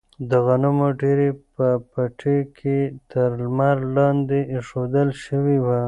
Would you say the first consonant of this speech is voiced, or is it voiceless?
voiced